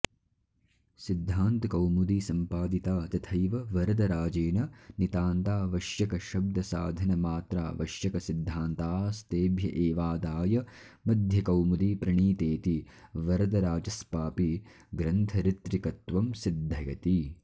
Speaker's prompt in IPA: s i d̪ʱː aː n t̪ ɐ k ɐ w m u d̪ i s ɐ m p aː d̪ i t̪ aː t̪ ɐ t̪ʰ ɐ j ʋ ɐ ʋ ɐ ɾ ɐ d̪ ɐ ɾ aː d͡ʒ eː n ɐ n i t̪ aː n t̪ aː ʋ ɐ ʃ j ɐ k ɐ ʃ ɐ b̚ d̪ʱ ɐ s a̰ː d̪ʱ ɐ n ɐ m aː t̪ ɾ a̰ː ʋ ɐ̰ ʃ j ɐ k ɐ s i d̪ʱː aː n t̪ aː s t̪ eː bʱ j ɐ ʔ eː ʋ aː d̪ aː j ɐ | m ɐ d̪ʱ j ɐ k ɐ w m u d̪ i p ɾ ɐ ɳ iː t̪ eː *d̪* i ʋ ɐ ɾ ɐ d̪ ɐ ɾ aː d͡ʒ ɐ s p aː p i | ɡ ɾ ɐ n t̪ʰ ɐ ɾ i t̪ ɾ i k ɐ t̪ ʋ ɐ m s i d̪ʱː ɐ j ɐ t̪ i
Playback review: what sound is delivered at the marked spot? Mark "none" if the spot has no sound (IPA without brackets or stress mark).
t̪